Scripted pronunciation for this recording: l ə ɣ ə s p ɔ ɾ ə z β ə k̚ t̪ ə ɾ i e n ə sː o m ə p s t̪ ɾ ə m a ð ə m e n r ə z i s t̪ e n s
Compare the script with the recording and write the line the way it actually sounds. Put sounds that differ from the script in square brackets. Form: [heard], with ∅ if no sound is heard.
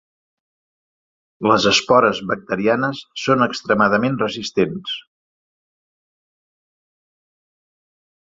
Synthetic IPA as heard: l ə [z] ə s p ɔ ɾ ə z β ə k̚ t̪ ə ɾ i [a] n ə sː o [n] ə [k] s t̪ ɾ ə m a ð ə m e n r ə z i s t̪ e n s